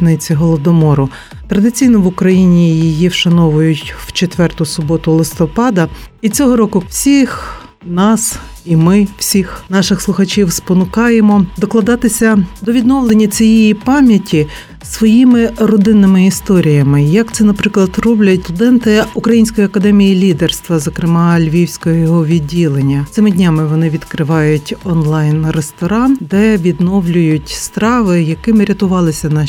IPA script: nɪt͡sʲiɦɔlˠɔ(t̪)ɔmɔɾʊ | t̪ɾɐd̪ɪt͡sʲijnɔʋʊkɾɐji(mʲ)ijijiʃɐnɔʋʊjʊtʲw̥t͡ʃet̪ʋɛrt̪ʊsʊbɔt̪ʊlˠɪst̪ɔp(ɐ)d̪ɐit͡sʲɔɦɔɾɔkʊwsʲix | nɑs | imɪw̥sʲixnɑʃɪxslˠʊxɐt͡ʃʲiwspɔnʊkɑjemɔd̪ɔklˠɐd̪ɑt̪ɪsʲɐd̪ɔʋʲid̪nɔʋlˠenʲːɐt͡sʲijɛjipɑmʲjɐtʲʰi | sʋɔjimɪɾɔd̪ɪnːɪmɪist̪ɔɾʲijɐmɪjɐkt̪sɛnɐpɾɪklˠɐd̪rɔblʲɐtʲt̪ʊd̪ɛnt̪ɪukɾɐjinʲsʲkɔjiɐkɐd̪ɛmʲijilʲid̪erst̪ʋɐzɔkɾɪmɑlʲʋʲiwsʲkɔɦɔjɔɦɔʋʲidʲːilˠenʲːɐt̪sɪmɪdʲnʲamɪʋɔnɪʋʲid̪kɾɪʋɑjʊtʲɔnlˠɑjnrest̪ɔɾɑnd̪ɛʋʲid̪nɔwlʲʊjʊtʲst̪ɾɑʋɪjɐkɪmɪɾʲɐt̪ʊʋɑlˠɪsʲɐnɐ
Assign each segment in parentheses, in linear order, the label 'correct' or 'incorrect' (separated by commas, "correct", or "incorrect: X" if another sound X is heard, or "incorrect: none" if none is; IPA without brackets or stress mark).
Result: incorrect: d̪, incorrect: nʲ, incorrect: ɑ